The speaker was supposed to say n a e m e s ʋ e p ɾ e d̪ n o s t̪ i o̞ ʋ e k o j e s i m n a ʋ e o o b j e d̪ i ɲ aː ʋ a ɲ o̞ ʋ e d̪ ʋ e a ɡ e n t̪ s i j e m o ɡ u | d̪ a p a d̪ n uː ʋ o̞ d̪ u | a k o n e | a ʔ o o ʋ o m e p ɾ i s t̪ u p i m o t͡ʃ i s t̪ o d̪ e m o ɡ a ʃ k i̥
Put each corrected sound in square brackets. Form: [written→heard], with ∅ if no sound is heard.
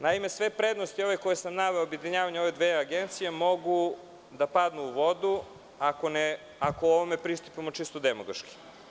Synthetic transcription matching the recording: n a [e→i] m e s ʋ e p ɾ e d̪ n o s t̪ i o̞ ʋ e k o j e s [i→a] m n a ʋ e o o b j e d̪ i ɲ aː ʋ a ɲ o̞ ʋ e d̪ ʋ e a ɡ e n t̪ s i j e m o ɡ u | d̪ a p a d̪ n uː ʋ o̞ d̪ u | a k o n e | a [ʔ→k] o o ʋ o m e p ɾ i s t̪ u p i m o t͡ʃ i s t̪ o d̪ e m o ɡ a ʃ k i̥